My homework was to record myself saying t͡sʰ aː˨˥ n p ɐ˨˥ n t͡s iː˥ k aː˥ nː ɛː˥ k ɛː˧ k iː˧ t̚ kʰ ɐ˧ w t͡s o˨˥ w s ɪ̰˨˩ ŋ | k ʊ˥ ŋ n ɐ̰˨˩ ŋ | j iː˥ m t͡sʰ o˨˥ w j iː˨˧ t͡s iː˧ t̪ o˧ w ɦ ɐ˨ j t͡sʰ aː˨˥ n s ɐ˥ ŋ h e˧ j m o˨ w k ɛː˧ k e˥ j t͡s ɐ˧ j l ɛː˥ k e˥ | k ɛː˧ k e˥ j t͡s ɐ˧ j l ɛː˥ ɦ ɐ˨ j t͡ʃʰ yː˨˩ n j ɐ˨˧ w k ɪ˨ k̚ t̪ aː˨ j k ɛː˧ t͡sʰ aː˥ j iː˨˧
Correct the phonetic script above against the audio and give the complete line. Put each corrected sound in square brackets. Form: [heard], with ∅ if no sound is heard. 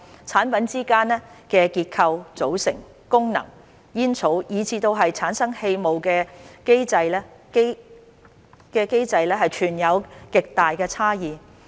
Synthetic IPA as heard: t͡sʰ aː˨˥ n p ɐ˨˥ n t͡s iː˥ k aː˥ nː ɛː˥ k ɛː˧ k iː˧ t̚ kʰ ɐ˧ w t͡s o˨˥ w s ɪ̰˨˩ ŋ | k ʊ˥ ŋ n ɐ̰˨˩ ŋ | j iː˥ [n] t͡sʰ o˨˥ w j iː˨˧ [t͡sʰ] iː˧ t̪ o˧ w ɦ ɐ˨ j t͡sʰ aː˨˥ n s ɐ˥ ŋ h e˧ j m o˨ w k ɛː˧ k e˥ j t͡s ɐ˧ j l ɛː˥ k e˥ | k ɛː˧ k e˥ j t͡s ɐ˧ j l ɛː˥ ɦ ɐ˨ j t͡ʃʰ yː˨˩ n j ɐ˨˧ w k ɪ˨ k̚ t̪ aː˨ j k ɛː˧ t͡sʰ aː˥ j iː˨˧